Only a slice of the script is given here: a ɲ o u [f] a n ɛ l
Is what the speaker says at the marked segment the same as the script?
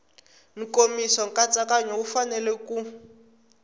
yes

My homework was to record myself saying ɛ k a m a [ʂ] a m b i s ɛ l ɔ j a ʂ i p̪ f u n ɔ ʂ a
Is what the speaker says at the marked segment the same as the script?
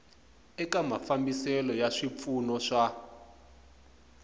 no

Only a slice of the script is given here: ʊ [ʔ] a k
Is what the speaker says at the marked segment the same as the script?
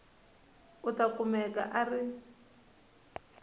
no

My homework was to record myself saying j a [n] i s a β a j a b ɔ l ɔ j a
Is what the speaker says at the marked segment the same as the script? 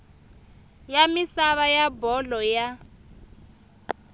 no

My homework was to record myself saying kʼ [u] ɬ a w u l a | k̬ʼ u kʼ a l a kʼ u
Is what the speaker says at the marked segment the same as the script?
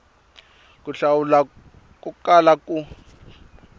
yes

